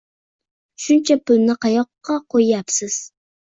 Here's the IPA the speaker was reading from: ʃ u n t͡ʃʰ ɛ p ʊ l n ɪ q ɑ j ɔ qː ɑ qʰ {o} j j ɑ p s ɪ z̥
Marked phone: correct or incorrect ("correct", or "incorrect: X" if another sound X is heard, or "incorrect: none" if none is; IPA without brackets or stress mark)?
correct